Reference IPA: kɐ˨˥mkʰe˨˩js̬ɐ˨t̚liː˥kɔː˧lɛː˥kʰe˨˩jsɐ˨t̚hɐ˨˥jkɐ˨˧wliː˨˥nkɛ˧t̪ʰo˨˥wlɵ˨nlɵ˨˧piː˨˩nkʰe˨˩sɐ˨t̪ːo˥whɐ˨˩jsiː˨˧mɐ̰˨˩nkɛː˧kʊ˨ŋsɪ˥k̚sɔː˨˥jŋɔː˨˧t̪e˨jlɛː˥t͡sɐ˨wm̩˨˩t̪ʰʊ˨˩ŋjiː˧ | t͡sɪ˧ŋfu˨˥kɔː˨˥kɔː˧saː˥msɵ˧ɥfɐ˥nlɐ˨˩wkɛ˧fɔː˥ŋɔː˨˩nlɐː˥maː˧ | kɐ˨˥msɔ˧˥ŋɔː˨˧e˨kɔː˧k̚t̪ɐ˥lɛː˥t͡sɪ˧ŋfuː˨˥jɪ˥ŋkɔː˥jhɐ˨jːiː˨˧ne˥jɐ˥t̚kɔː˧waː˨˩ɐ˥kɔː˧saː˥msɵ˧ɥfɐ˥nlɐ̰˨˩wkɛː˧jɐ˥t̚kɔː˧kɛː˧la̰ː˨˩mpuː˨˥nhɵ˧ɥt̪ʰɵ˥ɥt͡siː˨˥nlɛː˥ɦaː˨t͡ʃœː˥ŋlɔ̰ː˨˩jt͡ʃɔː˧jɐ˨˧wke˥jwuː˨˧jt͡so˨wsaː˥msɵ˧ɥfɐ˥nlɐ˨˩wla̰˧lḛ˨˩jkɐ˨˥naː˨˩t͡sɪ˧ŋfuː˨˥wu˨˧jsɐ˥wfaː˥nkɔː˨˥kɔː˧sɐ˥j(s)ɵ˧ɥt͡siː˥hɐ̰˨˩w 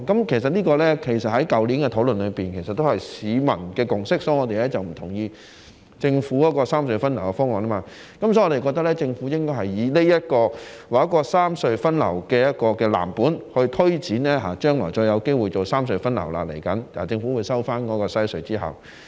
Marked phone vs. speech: correct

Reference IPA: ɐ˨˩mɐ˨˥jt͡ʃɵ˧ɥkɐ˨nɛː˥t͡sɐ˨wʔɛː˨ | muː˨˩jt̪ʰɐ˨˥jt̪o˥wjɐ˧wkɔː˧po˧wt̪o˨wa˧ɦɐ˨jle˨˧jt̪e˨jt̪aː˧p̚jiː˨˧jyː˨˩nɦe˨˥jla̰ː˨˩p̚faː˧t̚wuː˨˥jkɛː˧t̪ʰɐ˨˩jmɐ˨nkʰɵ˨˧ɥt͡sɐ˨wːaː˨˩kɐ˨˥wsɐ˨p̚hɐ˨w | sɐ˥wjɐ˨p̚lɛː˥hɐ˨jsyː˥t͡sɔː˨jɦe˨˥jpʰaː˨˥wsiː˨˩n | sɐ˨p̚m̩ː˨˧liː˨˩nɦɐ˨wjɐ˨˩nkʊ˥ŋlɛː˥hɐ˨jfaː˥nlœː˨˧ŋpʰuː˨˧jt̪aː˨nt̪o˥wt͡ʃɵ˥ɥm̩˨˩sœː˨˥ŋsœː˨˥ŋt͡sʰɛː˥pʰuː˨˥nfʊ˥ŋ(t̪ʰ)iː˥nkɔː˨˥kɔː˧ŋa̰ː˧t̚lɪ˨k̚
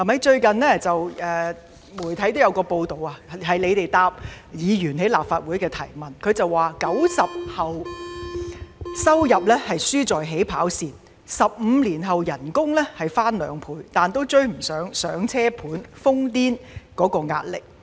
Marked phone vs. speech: incorrect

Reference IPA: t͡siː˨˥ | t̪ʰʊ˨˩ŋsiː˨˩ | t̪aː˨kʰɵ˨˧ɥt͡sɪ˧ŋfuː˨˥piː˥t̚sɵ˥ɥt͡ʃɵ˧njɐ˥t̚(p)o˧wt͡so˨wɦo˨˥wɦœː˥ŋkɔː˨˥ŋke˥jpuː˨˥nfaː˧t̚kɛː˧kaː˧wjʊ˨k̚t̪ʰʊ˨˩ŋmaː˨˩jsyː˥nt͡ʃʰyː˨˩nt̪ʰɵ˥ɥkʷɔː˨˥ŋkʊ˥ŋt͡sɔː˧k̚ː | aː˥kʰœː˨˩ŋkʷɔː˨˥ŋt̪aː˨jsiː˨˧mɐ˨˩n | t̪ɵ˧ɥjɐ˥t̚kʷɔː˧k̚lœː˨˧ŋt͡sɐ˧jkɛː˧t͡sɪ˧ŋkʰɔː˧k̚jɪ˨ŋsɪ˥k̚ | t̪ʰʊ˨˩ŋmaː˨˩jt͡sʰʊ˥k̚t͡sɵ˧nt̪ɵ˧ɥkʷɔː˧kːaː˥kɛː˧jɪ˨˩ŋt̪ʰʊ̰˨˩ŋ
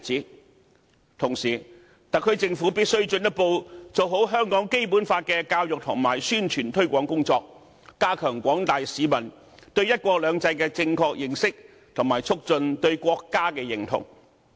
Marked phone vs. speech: correct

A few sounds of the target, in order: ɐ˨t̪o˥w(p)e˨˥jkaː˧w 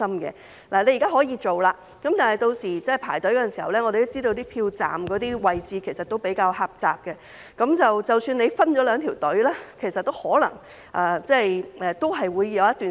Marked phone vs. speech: correct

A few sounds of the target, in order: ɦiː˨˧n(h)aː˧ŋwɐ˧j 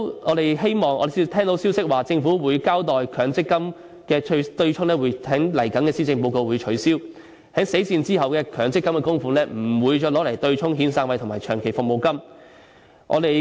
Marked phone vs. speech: incorrect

